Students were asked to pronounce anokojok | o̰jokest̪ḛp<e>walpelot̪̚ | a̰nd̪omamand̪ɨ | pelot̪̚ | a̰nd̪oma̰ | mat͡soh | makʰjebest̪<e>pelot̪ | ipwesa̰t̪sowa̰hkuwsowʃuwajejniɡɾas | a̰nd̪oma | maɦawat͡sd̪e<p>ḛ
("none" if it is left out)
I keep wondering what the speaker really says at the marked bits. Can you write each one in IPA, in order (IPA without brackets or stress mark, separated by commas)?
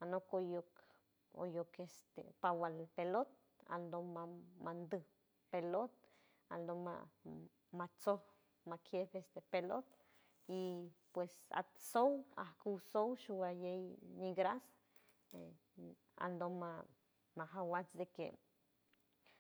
a, e, k